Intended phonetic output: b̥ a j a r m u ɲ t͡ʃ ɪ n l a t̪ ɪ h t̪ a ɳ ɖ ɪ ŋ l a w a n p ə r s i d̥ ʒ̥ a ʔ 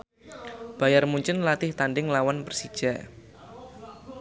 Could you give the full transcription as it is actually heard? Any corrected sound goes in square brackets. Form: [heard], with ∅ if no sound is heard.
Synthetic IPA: b̥ a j a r m u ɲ t͡ʃ ɪ n l a t̪ ɪ h t̪ a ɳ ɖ ɪ ŋ l a w a n p ə r s i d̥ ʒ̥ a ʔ